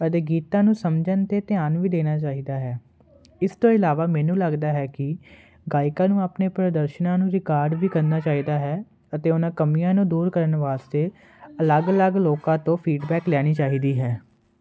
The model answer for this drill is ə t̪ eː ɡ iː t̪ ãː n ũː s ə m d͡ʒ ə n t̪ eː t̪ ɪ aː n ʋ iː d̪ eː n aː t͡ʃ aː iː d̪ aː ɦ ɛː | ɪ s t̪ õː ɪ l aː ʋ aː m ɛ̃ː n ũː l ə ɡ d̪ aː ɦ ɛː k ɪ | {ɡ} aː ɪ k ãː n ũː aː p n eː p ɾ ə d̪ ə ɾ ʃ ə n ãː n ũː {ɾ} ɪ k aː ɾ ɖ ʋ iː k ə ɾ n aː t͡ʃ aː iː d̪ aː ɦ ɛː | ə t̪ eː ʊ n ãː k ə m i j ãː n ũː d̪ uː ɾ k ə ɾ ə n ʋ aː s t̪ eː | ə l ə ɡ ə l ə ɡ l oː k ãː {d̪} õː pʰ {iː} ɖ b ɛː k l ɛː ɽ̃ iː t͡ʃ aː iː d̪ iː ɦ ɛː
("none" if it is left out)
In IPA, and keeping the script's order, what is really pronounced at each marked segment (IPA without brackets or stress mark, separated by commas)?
ɡ, ɾ, t̪, iː